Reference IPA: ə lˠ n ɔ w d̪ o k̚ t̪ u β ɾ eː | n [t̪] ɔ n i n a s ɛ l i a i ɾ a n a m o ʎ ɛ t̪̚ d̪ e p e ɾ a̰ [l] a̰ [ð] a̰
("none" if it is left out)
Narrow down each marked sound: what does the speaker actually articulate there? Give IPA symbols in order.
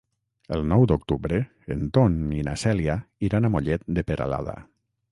t̪, l, ð

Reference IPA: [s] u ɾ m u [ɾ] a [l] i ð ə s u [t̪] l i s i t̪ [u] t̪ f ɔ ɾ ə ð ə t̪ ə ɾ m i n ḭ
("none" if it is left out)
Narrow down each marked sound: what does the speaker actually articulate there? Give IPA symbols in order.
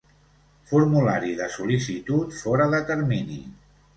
f, l, ɾ, none, u

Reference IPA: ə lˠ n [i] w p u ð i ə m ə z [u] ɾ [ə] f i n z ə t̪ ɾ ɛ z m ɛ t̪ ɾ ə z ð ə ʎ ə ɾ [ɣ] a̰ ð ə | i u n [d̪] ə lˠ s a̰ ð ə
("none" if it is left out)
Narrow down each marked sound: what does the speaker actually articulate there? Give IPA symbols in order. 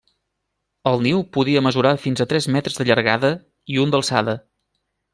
i, u, a, ɣ, d̪

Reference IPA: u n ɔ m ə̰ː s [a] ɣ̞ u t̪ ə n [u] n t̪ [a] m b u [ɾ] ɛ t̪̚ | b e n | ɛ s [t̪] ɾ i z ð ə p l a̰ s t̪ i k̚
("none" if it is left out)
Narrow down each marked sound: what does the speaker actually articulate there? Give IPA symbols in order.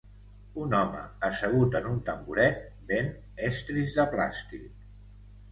ə, u, ə, ɾ, t̪

